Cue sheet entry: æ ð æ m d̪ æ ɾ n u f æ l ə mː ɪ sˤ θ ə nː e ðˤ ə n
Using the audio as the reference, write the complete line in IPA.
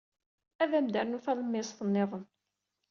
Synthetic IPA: æ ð æ m d̪ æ ɾ n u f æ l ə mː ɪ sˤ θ ə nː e ðˤ ə n